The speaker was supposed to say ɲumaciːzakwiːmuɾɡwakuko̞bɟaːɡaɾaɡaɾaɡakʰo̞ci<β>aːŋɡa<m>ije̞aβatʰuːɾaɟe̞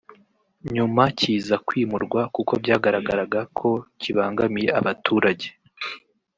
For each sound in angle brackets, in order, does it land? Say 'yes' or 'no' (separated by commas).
yes, yes